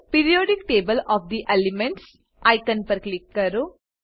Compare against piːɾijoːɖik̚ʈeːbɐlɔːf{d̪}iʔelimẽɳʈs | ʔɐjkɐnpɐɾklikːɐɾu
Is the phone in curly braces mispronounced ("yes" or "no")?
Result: no